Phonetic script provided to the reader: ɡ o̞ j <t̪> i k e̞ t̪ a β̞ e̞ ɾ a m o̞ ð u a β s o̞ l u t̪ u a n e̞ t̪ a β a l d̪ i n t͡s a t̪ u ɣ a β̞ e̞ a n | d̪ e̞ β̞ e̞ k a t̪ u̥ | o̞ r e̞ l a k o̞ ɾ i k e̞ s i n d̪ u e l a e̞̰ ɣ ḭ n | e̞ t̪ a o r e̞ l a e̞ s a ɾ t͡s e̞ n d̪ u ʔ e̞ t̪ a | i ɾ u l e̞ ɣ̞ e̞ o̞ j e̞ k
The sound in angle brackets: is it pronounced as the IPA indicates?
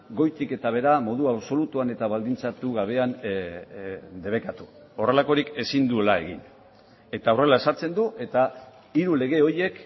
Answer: yes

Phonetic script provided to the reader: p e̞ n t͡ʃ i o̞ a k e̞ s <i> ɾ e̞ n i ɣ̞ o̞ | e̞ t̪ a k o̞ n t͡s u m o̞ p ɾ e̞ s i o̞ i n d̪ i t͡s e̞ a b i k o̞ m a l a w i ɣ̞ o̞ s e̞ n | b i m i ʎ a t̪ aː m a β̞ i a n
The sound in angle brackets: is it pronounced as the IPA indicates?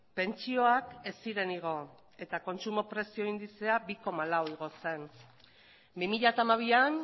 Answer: yes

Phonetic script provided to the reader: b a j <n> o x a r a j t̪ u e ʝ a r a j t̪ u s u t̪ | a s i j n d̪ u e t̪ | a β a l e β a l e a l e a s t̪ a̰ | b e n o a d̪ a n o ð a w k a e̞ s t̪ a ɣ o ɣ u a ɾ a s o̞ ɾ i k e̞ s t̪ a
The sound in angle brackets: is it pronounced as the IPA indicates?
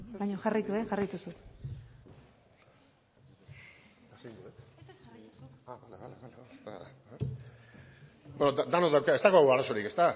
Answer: no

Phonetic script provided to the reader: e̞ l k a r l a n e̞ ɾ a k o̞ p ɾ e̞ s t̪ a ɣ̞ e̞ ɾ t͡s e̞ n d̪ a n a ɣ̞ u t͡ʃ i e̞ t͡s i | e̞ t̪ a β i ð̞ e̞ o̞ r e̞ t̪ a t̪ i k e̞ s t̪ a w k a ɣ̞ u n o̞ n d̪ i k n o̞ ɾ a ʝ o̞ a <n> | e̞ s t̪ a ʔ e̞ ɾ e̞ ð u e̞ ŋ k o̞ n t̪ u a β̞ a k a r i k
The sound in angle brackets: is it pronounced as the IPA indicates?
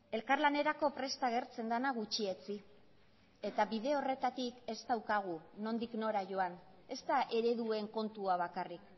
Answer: yes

